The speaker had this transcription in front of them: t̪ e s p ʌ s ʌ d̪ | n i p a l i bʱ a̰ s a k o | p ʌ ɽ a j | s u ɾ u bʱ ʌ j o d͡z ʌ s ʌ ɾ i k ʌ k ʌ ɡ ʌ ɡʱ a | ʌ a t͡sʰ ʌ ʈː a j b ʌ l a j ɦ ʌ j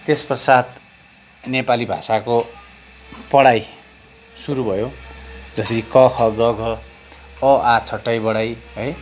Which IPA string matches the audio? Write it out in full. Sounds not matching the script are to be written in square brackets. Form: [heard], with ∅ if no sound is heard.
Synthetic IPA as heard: t̪ e s p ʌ s [a] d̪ | n [e] p a l i bʱ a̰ s a k o | p ʌ ɽ a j | s u ɾ u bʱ ʌ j o d͡z ʌ s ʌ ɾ i k ʌ [kʰ] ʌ ɡ ʌ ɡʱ [ʌ] | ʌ a t͡sʰ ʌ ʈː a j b ʌ [ɽ] a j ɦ ʌ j